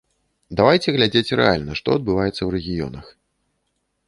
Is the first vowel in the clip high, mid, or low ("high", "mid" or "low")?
low